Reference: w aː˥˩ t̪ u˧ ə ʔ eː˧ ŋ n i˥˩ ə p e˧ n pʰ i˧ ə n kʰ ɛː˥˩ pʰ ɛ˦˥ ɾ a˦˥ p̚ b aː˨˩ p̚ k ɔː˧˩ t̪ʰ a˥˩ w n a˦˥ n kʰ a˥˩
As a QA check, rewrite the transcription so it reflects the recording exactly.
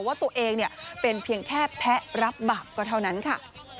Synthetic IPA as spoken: w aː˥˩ t̪ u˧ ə ʔ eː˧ ŋ n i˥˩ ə p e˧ n pʰ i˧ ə ŋ kʰ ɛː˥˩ pʰ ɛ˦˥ ɾ a˦˥ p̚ b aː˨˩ p̚ k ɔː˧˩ t̪ʰ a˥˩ w n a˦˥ n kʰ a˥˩